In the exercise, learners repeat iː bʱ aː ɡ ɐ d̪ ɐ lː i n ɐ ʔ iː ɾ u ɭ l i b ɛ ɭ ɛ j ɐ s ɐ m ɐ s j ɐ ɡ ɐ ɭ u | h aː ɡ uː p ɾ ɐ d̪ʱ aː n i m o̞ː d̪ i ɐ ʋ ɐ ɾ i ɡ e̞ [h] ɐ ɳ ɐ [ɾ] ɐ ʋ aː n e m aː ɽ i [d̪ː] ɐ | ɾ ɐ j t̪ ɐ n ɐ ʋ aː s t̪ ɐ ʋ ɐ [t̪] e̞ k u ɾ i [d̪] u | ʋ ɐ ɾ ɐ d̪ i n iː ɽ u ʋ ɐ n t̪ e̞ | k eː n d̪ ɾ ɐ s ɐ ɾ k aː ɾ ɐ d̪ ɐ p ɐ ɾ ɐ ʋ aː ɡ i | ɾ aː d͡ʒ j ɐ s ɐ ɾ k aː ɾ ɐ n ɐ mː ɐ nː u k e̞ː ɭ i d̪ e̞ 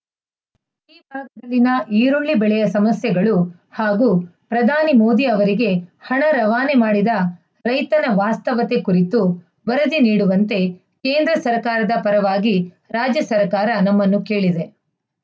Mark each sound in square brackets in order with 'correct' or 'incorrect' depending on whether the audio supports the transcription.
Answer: correct, correct, incorrect: d̪, correct, incorrect: t̪

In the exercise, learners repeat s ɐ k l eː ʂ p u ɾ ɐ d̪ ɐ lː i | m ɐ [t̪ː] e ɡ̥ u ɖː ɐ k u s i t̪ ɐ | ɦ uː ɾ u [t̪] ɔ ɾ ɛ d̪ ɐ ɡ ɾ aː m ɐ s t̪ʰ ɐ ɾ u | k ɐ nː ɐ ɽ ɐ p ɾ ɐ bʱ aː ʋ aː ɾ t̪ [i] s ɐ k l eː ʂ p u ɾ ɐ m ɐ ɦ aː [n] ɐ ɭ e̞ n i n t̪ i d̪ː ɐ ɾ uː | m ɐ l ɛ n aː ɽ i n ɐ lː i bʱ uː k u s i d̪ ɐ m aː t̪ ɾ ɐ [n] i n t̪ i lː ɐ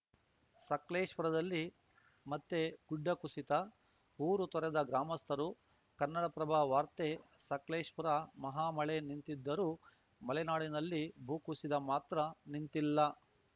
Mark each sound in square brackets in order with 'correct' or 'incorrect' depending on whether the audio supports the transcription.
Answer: correct, correct, incorrect: e, incorrect: m, correct

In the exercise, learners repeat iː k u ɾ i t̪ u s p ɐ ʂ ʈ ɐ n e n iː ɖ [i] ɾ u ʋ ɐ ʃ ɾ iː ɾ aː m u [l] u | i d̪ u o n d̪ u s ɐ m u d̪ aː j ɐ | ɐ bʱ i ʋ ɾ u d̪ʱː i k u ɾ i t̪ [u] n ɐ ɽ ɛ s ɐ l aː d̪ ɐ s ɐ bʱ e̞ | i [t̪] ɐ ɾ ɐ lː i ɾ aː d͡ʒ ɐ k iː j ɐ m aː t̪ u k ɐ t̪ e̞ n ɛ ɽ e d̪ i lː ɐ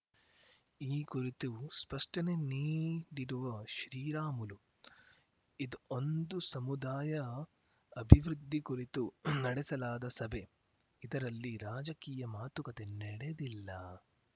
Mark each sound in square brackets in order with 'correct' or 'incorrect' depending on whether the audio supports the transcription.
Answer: correct, correct, correct, incorrect: d̪

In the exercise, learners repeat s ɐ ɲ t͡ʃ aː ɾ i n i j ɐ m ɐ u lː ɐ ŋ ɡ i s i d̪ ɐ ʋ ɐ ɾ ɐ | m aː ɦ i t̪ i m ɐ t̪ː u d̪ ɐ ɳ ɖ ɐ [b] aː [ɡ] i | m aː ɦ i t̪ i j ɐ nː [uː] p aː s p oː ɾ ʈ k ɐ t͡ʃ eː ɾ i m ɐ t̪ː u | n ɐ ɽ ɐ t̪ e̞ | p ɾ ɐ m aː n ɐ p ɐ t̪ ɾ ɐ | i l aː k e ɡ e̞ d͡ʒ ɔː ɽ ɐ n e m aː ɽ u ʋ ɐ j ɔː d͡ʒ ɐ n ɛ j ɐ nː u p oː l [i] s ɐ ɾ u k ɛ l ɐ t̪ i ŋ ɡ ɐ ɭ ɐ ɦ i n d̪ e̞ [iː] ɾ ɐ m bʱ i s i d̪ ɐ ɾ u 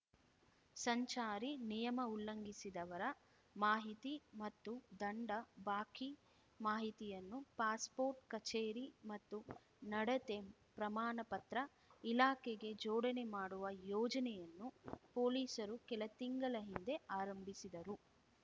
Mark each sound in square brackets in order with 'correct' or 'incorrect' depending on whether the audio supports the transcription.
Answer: correct, incorrect: k, incorrect: u, incorrect: iː, incorrect: aː

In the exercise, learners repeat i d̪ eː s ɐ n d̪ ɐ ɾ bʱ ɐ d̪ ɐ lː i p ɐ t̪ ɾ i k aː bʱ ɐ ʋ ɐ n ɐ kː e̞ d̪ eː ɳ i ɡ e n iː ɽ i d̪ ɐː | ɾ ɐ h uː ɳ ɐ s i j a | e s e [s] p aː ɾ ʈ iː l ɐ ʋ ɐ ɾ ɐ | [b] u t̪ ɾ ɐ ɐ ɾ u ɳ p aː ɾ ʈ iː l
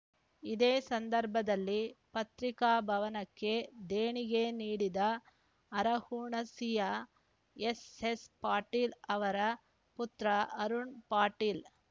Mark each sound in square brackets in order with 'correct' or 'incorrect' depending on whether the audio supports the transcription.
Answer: correct, incorrect: p

